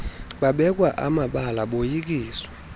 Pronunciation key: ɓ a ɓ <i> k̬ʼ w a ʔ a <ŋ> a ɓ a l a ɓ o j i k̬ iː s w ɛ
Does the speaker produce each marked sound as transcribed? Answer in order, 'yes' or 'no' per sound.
no, no

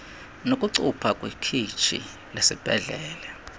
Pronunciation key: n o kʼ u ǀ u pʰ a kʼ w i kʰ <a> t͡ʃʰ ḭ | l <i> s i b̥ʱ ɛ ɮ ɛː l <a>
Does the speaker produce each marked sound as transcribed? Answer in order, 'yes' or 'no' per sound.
no, no, no

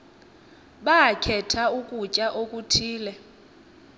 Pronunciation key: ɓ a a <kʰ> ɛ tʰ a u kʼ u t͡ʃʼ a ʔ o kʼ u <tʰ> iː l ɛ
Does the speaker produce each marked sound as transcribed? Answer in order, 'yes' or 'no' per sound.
yes, yes

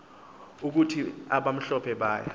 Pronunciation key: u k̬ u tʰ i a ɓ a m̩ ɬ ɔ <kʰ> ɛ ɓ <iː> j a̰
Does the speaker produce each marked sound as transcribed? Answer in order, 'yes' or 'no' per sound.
no, no

